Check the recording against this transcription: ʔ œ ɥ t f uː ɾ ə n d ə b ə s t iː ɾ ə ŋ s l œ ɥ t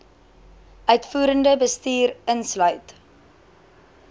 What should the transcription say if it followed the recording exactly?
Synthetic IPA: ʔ œ ɥ t f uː ɾ ə n d ə b ə s t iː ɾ ə n s l œ ɥ t